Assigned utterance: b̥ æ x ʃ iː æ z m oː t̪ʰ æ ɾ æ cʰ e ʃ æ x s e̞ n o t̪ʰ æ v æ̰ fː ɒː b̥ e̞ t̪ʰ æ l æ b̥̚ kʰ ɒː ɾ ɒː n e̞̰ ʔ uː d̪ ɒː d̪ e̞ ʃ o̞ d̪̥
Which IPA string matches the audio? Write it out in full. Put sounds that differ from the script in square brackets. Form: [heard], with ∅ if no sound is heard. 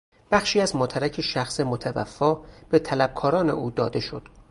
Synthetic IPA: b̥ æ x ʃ iː æ z m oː t̪ʰ æ ɾ æ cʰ e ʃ æ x s e̞ [m] o t̪ʰ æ v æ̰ fː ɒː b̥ e̞ t̪ʰ æ l æ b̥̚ kʰ ɒː ɾ ɒː n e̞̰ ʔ uː d̪ ɒː d̪ e̞ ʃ o̞ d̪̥